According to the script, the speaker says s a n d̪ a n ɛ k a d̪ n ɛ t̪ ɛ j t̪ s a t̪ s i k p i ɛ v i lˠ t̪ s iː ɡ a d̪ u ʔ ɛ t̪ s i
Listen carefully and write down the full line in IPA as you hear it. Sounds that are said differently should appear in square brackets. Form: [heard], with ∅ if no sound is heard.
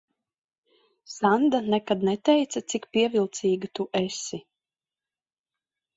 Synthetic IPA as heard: s a n d̪ a n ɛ k a d̪ n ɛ t̪ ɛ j t̪ s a t̪ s i k p i ɛ v i lˠ t̪ s iː ɡ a [t̪] u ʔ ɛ [∅] s i